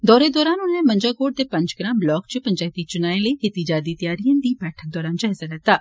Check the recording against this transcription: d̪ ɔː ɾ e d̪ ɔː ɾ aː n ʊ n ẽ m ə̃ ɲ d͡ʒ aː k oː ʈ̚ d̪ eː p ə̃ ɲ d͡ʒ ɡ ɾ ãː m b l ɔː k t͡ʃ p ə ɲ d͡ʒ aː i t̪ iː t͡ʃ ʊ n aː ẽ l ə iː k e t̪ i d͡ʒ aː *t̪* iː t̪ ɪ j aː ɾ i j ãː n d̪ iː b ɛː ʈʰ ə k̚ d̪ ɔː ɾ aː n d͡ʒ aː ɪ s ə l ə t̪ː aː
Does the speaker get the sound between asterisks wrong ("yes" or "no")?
yes